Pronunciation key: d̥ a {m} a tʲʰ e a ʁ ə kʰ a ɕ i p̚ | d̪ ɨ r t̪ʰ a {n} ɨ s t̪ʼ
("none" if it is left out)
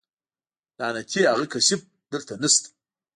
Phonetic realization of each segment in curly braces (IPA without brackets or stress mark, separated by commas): n, n